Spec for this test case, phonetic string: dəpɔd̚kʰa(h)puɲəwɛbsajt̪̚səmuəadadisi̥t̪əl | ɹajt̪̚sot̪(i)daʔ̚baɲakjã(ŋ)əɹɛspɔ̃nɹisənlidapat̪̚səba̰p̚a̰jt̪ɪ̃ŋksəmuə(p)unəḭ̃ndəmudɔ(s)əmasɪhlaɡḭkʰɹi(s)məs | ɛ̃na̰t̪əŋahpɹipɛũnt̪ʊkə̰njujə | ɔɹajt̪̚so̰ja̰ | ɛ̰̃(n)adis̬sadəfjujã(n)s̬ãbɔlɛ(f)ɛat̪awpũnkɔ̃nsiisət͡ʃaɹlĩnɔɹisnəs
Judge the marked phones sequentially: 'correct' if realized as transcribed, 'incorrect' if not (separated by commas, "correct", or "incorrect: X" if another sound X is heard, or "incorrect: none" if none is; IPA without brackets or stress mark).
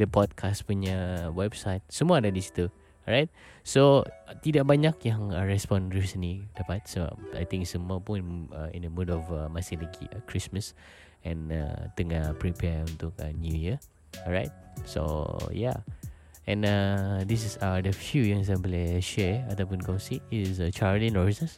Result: incorrect: s, correct, correct, correct, incorrect: f, correct, correct, incorrect: ŋ, incorrect: ʃ